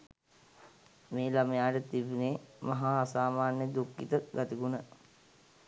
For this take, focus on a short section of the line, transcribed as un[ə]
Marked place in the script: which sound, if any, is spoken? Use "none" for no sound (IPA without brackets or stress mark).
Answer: ə